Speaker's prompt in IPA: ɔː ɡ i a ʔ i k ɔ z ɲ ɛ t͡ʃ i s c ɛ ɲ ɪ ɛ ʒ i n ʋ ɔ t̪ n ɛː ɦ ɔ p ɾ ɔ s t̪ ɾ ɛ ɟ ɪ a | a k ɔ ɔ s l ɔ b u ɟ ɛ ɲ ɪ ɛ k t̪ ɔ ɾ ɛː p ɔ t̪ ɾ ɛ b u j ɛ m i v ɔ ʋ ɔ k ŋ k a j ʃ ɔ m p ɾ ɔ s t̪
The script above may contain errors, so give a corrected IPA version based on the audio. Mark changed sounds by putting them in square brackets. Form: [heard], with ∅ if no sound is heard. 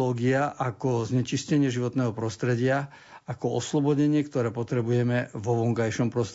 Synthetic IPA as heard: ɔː ɡ i a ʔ [a] k ɔ z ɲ ɛ t͡ʃ i s c ɛ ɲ ɪ ɛ ʒ i [∅] ʋ ɔ t̪ n ɛː ɦ ɔ p ɾ ɔ s t̪ ɾ ɛ ɟ ɪ a | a k ɔ ɔ s l ɔ b [ɔ] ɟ ɛ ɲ ɪ ɛ k t̪ ɔ ɾ ɛː p ɔ t̪ ɾ ɛ b u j ɛ m [ɛ] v ɔ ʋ ɔ [∅] ŋ k a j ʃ ɔ m p ɾ ɔ s t̪